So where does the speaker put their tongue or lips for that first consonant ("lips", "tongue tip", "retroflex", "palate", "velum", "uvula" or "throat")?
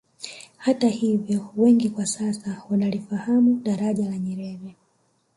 throat